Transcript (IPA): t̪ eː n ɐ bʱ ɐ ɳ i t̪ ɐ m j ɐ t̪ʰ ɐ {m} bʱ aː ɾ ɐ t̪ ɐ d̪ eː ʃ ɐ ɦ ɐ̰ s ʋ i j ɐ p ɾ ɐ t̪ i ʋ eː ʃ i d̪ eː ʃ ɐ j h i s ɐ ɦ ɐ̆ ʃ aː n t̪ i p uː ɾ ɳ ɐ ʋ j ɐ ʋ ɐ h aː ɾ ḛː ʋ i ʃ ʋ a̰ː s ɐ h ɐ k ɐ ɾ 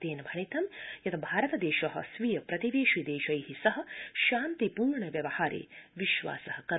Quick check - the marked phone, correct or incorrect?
incorrect